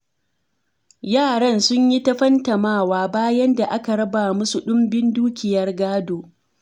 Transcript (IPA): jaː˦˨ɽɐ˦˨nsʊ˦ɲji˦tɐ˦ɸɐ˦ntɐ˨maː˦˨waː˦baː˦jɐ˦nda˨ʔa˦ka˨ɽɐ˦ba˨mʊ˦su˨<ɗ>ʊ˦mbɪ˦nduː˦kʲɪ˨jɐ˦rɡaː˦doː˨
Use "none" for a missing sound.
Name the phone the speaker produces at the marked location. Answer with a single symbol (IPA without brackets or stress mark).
ɗ